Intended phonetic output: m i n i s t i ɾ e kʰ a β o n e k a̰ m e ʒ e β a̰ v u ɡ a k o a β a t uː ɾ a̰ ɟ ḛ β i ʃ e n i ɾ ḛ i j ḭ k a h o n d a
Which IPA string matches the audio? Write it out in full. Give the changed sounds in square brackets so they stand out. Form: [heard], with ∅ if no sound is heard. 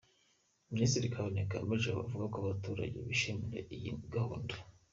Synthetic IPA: m i n i s t i ɾ [i] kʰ a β o n e k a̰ m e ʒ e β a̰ v u ɡ a k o a β a t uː ɾ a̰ ɟ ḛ β i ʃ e [m] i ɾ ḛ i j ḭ [ɡ] a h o n d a